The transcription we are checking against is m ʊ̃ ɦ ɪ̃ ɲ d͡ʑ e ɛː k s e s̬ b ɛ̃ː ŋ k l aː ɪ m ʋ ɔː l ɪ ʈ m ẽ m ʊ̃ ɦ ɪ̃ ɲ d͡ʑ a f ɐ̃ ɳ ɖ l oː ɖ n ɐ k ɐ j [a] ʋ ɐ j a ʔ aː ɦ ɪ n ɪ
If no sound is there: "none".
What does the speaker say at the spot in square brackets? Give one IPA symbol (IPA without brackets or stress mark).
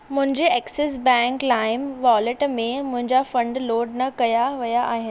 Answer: a